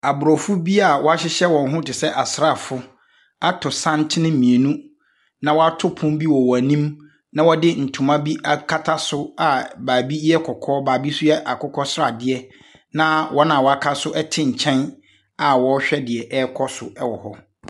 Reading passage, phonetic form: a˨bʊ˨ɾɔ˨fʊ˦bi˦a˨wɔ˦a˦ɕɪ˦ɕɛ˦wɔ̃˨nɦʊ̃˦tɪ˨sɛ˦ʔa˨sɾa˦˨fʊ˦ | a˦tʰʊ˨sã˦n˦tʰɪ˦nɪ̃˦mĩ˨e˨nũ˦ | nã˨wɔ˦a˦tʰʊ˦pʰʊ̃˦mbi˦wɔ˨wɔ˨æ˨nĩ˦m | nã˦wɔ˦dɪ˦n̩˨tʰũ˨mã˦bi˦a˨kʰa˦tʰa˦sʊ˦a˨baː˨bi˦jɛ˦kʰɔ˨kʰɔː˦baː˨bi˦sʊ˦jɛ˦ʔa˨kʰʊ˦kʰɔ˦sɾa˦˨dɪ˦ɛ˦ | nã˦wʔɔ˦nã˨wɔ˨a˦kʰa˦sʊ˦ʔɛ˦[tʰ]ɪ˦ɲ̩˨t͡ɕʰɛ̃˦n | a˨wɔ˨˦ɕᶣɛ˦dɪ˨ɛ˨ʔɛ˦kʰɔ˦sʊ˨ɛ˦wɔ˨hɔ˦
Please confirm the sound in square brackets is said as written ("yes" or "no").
yes